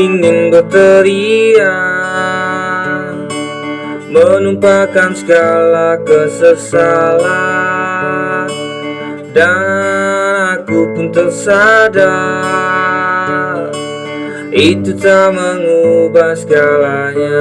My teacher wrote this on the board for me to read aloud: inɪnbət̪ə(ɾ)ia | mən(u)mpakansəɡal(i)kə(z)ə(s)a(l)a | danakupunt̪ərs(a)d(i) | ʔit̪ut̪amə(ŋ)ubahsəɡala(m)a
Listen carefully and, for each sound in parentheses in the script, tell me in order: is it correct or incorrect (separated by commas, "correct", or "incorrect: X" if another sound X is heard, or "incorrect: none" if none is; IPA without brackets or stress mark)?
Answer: correct, correct, incorrect: a, incorrect: s, correct, correct, correct, incorrect: a, correct, incorrect: ɲ